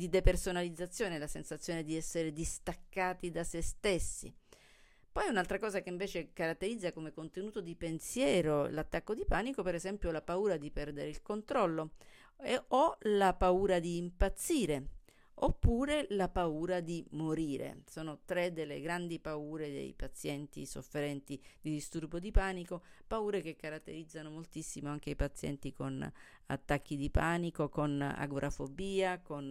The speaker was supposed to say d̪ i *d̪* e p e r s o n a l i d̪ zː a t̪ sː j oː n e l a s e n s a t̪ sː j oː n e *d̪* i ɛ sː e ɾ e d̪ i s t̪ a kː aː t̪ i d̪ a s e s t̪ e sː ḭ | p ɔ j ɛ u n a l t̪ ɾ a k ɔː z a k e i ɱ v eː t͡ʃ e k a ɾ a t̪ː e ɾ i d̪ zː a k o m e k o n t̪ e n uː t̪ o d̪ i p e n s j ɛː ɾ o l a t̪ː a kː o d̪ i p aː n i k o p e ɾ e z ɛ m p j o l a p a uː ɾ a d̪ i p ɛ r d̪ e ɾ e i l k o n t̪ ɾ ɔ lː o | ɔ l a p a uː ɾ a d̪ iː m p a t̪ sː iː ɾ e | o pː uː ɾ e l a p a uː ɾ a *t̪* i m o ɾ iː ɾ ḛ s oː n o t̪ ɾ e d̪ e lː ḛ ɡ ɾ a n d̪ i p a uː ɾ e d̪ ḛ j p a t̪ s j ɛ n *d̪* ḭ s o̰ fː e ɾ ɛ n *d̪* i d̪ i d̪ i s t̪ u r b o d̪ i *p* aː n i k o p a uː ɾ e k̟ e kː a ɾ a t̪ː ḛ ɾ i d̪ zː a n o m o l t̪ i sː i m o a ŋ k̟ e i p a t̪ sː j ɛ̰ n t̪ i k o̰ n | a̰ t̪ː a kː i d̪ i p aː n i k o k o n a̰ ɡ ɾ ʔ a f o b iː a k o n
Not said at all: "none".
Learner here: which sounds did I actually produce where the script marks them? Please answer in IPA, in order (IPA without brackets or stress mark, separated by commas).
d̪, d̪, d̪, t̪, t̪, p